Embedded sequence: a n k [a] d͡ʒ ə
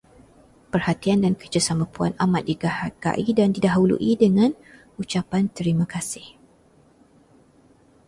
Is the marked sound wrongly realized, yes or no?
yes